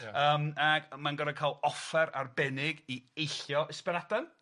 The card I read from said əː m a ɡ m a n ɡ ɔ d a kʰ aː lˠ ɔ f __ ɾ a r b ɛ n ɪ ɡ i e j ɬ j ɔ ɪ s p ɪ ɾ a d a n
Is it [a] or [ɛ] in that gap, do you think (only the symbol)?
ɛ